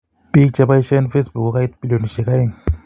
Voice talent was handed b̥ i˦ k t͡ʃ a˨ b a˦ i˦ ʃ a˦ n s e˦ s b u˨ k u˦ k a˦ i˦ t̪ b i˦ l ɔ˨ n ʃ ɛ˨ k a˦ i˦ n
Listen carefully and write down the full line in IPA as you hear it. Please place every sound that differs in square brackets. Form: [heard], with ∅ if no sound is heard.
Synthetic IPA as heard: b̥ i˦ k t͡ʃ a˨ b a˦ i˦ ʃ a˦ n [f] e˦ s b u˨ k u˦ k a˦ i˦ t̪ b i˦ l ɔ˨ n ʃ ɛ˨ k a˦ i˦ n